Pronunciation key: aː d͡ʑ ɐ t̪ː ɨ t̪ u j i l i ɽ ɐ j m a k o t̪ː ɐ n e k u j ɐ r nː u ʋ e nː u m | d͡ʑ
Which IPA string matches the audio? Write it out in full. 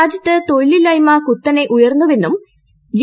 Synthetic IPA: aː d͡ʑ ɐ t̪ː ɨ t̪ o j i l i l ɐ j m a k u t̪ː ɐ n e ʔ u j ɐ r nː u ʋ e nː u m | d͡ʑ